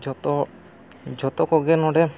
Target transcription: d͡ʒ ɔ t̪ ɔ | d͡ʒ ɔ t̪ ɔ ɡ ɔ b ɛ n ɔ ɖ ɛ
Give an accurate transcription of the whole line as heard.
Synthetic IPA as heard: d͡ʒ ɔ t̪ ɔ | d͡ʒ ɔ t̪ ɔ k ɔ ɡ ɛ n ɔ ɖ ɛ

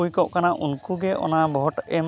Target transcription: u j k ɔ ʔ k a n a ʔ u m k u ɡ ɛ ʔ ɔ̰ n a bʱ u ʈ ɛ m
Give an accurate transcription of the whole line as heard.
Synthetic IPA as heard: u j k ɔ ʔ k a n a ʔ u n k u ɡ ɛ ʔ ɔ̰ n a bʱ ɔ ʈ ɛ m

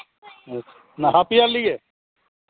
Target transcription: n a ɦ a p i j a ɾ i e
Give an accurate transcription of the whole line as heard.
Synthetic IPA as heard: n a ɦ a p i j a l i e

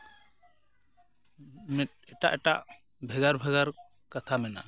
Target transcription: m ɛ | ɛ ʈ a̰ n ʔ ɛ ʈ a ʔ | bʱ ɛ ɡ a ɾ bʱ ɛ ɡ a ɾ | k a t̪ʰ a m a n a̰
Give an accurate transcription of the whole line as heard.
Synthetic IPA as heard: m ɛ | ɛ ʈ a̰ ʔ ɛ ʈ a ʔ | bʱ ɛ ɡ a ɾ bʱ ɛ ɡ a ɾ | k a t̪ʰ a m ɛ n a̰

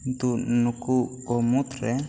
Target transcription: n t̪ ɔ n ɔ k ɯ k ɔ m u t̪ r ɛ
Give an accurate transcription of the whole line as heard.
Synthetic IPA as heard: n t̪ u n u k u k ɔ m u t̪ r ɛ

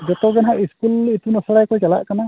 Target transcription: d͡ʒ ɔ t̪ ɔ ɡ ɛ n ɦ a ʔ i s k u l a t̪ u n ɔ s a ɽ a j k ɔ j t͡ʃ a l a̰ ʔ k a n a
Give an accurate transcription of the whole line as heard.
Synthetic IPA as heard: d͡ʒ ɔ t̪ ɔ ɡ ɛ n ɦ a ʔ i s k u l i t̪ u n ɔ s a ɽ a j k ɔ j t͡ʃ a l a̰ ʔ k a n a

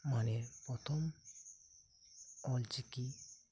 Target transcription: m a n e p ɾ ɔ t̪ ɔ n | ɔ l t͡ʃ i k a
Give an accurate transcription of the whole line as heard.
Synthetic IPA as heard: m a n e p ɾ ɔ t̪ʰ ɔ m | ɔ l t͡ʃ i k i

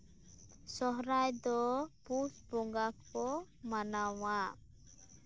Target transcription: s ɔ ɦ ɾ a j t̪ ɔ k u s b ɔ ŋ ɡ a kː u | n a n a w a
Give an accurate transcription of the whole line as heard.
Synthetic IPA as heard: s ɔ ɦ ɾ a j d̪ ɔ p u s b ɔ ŋ ɡ a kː ɔ | m a n a w a

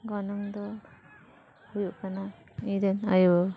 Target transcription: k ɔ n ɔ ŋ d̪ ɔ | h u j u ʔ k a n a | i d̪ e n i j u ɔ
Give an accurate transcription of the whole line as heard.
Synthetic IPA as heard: ɡ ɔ n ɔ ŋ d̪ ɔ | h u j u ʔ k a n a | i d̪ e n a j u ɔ

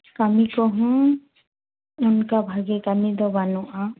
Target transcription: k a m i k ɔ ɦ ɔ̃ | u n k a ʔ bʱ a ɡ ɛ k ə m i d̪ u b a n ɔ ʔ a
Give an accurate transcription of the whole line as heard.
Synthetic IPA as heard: k a m i k ɔ ɦ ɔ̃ | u n k a bʱ a ɡ ɛ k a m i d̪ ɔ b a n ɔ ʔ a

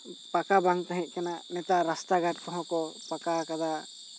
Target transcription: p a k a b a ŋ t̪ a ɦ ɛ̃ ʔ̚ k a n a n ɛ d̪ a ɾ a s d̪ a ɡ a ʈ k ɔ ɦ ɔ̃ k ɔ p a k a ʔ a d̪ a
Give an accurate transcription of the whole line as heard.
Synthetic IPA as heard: p a k a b a ŋ t̪ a ɦ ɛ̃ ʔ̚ k a n a n ɛ t̪ a ɾ a s t̪ a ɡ a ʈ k ɔ ɦ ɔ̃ k ɔ p a k a k a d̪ a

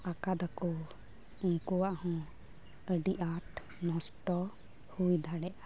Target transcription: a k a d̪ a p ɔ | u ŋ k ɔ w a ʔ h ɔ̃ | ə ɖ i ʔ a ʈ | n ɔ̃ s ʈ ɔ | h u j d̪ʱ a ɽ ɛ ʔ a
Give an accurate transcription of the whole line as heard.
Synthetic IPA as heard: a k a d̪ a k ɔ | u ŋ k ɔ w a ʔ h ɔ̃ | ə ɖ i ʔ a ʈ | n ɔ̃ s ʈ ɔ | h u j d̪ʱ a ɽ ɛ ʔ a

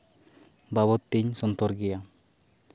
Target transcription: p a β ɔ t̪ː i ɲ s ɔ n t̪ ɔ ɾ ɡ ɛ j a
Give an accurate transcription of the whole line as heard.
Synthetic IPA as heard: b a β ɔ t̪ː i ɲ s ɔ n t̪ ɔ ɾ ɡ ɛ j a

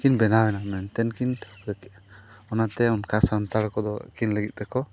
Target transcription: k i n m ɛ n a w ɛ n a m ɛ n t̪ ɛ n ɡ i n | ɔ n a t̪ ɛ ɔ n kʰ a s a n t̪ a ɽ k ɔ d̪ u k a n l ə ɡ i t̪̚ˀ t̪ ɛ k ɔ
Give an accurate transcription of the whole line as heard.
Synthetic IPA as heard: k i n b ɛ n a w ɛ n a m ɛ n t̪ ɛ n k i n | ɔ n a t̪ ɛ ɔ n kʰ a s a n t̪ a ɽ k ɔ d̪ ɔ k i n l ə ɡ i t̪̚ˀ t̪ ɛ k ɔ

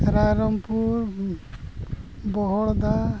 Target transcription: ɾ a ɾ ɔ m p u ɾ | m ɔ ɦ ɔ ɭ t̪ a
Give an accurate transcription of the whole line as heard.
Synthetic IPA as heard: ɾ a ɾ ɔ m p u ɾ | b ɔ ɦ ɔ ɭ d̪ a

